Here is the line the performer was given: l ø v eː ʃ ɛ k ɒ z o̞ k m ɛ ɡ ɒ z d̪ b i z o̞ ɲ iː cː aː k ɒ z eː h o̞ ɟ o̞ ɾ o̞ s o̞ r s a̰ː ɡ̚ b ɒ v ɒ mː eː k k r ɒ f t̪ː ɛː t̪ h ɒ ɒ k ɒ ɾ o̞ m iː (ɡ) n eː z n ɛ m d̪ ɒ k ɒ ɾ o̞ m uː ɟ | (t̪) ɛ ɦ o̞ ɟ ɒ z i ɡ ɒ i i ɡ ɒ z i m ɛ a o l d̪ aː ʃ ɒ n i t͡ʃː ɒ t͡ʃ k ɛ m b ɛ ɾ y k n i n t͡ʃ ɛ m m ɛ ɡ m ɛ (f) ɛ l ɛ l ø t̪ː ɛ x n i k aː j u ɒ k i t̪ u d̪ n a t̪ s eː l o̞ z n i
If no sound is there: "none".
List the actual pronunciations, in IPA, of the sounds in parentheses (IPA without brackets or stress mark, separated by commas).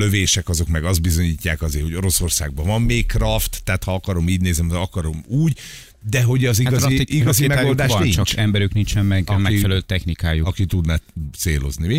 ɟ, d̪, f